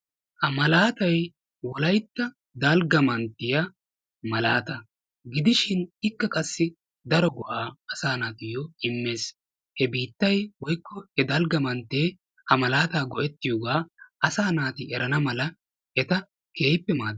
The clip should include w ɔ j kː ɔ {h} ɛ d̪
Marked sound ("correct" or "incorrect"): correct